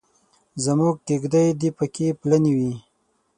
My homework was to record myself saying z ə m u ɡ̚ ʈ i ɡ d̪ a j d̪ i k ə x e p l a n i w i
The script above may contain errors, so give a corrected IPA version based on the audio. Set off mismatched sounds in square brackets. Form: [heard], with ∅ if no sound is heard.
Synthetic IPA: z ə m u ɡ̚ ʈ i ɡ d̪ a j d̪ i [p] ə [k] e p l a n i w i